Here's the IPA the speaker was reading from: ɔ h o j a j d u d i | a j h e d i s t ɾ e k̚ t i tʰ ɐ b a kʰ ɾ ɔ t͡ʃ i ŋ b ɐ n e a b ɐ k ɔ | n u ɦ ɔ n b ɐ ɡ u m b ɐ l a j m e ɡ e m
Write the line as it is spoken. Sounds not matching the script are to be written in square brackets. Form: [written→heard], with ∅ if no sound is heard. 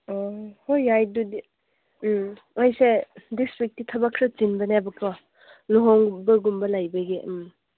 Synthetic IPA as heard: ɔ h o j a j d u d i | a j [h→s] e d i s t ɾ [e→i] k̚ t i tʰ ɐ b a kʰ ɾ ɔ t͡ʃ i [ŋ→n] b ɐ n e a b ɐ k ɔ | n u ɦ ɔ [n→ŋ] b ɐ ɡ u m b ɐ l a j [m→b] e ɡ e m